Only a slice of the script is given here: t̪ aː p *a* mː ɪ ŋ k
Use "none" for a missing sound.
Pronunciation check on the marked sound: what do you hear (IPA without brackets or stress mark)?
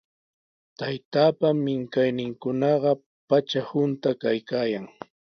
a